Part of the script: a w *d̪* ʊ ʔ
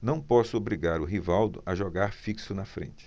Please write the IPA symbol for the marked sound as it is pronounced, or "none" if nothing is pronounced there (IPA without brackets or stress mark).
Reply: d̪